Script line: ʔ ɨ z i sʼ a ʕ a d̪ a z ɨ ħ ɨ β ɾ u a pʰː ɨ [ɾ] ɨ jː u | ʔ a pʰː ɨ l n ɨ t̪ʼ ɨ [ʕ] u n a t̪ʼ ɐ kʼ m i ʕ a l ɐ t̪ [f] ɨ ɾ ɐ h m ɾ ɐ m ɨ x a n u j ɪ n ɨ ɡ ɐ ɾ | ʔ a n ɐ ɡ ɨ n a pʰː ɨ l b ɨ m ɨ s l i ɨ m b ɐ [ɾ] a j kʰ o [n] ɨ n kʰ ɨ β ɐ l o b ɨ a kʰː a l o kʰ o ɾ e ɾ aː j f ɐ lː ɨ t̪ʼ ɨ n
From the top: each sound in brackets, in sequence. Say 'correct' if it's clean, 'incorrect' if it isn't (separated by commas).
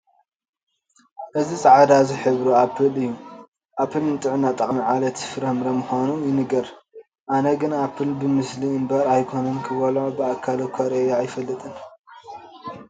incorrect, correct, correct, correct, correct